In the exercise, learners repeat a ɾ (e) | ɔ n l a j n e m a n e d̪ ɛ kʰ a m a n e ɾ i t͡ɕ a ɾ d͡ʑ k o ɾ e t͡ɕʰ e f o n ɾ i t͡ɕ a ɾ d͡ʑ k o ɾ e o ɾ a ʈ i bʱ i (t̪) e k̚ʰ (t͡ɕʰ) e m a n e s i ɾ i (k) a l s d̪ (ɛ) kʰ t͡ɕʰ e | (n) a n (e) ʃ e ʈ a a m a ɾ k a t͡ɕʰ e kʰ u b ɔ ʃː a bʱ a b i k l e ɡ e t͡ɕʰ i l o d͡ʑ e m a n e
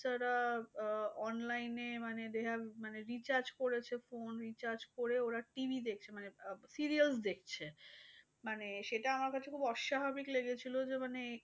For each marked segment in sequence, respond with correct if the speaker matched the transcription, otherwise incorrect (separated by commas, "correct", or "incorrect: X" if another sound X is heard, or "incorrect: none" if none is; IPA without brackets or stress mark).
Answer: incorrect: a, incorrect: d̪, correct, incorrect: none, incorrect: e, incorrect: m, correct